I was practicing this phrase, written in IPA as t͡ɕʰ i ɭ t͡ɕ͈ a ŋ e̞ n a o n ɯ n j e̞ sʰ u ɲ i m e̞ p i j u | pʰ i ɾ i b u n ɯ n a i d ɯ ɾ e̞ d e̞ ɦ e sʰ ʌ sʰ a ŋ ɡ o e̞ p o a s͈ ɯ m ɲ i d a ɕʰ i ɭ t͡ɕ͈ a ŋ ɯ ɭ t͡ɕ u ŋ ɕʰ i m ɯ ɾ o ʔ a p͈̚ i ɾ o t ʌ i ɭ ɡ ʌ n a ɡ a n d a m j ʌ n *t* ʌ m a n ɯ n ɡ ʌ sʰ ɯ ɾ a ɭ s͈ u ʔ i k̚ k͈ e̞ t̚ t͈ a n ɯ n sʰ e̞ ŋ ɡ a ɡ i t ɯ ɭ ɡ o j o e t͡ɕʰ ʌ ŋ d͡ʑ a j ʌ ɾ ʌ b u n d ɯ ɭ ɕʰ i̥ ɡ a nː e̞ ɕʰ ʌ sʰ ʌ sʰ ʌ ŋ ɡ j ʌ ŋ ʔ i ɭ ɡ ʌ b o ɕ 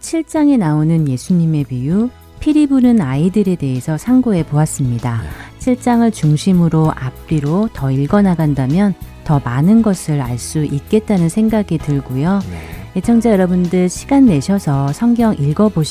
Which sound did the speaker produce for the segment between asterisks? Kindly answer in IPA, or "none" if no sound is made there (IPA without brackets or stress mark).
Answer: t